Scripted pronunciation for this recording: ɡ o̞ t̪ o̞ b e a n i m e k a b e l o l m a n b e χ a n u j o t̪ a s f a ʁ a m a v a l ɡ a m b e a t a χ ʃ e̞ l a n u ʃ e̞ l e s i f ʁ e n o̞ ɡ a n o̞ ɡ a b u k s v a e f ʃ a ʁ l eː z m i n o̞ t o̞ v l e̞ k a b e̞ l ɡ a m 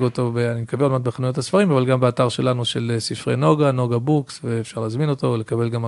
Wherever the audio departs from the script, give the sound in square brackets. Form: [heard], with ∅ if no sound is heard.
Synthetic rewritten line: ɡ o̞ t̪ o̞ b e a n i m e k a b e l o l m a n b e χ a n u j o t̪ a s f a ʁ [i] m a v a l ɡ a m b e a t a [ʁ] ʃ e̞ l a n u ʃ e̞ l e s i f ʁ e n o̞ ɡ a n o̞ ɡ a b u k s v [e] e f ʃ a ʁ l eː z m i n o̞ t o̞ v l e̞ k a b e̞ l ɡ a m